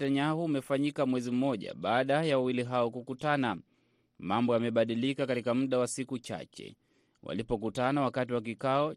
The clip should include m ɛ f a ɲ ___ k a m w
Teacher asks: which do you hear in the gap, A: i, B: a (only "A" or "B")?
A